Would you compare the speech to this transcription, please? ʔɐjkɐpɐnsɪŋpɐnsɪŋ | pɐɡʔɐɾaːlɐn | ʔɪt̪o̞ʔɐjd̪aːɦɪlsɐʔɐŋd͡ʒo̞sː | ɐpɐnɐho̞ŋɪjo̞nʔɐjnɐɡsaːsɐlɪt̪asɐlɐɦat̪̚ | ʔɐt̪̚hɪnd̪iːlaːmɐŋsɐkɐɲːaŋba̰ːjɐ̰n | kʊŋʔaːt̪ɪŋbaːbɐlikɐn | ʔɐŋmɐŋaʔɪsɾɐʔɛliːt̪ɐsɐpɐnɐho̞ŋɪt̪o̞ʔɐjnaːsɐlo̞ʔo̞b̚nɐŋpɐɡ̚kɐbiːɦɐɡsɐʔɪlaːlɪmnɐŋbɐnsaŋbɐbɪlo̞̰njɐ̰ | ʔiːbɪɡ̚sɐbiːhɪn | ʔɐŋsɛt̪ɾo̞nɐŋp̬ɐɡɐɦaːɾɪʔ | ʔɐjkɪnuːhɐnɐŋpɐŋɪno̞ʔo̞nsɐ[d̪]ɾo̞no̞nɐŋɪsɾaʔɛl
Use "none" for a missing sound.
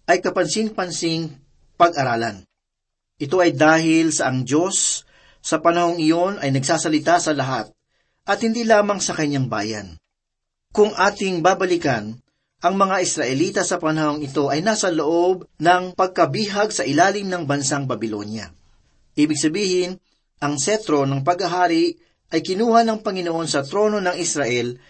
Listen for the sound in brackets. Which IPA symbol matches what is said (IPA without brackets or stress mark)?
t̪